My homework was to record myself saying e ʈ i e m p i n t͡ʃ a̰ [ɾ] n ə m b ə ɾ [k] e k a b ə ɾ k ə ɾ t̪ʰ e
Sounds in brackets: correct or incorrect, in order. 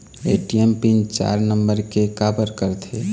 correct, correct

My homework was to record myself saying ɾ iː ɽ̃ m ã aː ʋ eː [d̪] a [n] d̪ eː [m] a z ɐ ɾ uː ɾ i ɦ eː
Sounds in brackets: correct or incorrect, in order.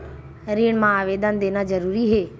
correct, correct, incorrect: n

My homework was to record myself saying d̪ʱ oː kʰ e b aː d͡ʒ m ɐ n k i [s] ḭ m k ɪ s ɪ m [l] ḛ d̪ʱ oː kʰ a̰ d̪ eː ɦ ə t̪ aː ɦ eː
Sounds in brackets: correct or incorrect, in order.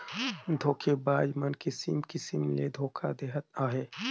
correct, correct

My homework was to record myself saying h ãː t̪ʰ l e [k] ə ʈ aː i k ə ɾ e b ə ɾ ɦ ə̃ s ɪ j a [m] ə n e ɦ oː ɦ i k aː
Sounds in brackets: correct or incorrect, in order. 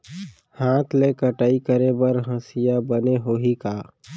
correct, incorrect: b

